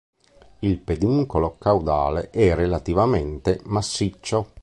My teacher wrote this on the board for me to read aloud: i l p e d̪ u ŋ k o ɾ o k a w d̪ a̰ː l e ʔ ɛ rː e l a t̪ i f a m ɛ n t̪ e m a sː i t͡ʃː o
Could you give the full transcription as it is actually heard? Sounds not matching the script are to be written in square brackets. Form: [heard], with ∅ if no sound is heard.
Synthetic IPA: i l p e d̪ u ŋ k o [l] o k a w d̪ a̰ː l e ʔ ɛ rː e l a t̪ i [v] a m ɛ n t̪ e m a sː i t͡ʃː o

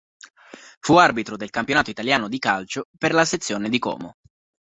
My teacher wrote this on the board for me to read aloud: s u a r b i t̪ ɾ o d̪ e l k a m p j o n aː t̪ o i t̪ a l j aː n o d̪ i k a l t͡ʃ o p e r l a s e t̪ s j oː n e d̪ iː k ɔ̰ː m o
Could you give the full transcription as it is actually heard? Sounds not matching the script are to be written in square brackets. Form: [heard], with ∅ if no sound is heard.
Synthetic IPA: [f] u a r b i t̪ ɾ o d̪ e l k a m p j o n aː t̪ o i t̪ a l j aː n o d̪ i k a l t͡ʃ o p e r l a s e t̪ [sː] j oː n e d̪ [i] k ɔ̰ː m o

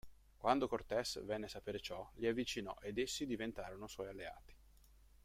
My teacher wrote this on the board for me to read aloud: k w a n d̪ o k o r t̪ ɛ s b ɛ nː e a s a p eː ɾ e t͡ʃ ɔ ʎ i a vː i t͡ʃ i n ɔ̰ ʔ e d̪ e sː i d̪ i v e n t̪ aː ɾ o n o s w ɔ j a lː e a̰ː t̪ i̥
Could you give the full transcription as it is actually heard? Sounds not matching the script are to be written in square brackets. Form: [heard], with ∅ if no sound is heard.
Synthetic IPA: k w a n d̪ o k o r t̪ ɛ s [v] ɛ nː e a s a p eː ɾ e t͡ʃ ɔ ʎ i a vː i t͡ʃ i n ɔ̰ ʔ e d̪ e sː i d̪ i v e n t̪ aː ɾ o n o s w ɔ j a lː e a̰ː t̪ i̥

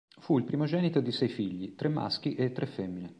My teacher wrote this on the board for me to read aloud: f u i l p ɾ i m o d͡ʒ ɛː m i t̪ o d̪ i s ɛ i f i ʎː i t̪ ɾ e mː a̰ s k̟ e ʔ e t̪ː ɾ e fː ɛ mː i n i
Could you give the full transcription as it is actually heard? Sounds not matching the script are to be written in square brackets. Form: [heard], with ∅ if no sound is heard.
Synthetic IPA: f u i l p ɾ i m o d͡ʒ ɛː [n] i t̪ o d̪ i s ɛ [j] f i ʎː i t̪ ɾ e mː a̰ s k̟ [i] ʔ e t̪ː ɾ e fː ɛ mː i n [e]

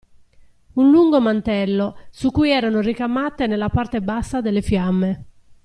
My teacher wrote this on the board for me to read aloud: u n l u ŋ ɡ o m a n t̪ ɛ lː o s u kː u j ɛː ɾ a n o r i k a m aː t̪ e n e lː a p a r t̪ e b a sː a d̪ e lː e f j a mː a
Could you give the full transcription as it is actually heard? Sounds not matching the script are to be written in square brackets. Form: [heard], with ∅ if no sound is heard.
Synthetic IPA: u n l u ŋ ɡ o m a n t̪ ɛ lː o s u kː u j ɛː ɾ a n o r i k a m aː t̪ e n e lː a p a r t̪ e b a sː a d̪ e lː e f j a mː [e]

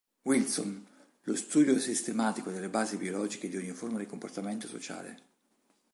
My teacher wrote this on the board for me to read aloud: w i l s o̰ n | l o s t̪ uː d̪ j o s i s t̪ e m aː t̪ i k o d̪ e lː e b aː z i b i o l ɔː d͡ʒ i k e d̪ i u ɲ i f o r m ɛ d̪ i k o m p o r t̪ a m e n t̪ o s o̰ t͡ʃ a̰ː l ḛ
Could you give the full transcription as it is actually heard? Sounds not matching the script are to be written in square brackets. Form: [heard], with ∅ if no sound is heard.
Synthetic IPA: w i l s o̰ n | l o s t̪ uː d̪ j o s i s t̪ e m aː t̪ i k o d̪ e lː e b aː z i b i o l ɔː d͡ʒ i k e d̪ i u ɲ i f o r m [a] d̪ i k o m p o r t̪ a m e n t̪ o s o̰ t͡ʃ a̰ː l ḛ

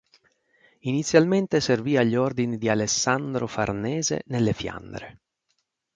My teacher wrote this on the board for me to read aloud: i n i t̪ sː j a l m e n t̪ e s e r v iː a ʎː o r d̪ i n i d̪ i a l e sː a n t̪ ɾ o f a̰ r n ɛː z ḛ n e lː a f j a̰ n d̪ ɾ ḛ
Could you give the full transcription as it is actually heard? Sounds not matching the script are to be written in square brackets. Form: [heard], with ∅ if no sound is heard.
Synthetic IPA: i n i t̪ sː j a l m e n t̪ e s e r v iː a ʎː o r d̪ i n i d̪ i a l e sː a n [d̪] ɾ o f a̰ r n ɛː z ḛ n e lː [e] f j a̰ n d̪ ɾ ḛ

